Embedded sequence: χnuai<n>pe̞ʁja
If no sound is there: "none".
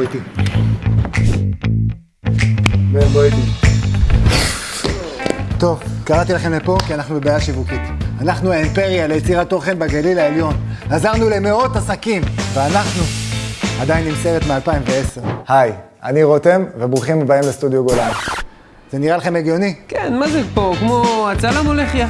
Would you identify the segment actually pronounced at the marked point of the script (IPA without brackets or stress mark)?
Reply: m